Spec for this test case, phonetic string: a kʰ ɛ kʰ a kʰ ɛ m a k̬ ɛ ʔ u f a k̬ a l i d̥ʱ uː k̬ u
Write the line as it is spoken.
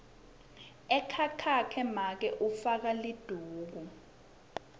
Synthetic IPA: ɛ kʰ a kʰ a kʰ ɛ m a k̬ ɛ ʔ u f a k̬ a l i d̥ʱ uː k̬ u